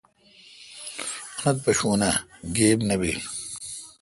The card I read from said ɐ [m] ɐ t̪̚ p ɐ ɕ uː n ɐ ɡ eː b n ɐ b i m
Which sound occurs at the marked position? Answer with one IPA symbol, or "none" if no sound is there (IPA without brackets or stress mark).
n